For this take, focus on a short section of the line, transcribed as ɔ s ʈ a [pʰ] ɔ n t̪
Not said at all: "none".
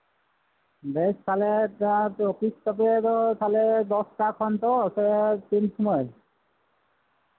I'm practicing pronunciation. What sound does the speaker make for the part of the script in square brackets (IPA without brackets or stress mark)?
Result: kʰ